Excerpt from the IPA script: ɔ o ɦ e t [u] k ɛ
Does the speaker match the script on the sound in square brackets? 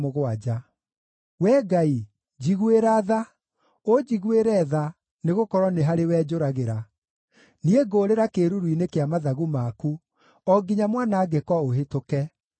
no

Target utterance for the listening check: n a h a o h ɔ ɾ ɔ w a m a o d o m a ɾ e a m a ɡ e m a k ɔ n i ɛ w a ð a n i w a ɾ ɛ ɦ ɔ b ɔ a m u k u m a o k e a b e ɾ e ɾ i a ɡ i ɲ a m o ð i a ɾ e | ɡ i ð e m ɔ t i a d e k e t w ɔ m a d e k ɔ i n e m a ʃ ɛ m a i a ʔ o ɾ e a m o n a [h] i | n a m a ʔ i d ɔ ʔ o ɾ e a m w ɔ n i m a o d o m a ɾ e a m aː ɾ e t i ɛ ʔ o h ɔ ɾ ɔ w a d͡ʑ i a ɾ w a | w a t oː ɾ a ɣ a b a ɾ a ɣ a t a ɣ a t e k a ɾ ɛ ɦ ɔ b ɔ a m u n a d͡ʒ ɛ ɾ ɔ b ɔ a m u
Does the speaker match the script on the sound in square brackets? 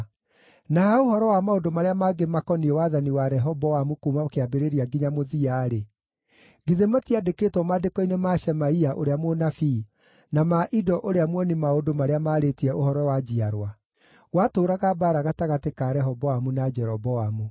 no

